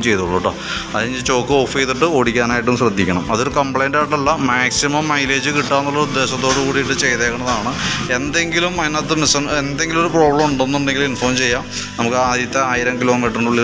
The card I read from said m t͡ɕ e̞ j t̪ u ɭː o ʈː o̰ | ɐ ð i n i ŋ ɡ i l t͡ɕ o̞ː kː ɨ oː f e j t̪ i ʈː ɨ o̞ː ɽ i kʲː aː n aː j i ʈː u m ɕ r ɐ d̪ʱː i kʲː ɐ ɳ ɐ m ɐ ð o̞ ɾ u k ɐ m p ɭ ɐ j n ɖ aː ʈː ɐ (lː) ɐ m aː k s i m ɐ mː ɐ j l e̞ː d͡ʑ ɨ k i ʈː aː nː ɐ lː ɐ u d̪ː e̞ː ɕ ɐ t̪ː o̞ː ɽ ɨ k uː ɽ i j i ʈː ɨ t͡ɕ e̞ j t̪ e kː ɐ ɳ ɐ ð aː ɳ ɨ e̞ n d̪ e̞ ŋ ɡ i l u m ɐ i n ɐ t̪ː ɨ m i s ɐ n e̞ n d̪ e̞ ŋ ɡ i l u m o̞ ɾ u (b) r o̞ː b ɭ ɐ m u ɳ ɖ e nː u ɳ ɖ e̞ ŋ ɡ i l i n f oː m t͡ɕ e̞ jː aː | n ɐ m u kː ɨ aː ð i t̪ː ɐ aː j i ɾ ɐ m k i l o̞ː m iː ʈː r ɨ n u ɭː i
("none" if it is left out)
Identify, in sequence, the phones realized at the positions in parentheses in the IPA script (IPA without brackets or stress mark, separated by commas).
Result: lː, p